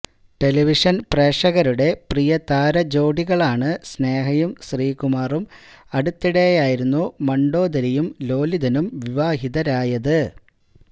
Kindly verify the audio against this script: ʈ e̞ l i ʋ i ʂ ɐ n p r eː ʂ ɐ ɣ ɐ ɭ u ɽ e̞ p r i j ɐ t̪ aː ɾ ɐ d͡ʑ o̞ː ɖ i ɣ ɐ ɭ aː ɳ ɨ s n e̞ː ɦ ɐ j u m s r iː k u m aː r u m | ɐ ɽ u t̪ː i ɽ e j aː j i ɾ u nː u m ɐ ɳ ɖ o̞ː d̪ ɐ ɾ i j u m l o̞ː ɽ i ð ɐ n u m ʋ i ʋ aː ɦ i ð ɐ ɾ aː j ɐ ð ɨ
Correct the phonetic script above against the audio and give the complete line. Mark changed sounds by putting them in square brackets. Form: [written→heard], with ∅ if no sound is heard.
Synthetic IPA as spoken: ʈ e̞ l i ʋ i ʂ ɐ n p r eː ʂ ɐ ɣ ɐ [ɭ→ɾ] u ɽ e̞ p r i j ɐ t̪ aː ɾ ɐ d͡ʑ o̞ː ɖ i ɣ ɐ ɭ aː ɳ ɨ s n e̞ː ɦ ɐ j u m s r iː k u m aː r u m | ɐ ɽ u t̪ː i ɽ e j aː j i ɾ u nː u m ɐ ɳ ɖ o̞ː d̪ ɐ ɾ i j u m l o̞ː [ɽ→l] i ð ɐ n u m ʋ i ʋ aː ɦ i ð ɐ ɾ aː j ɐ ð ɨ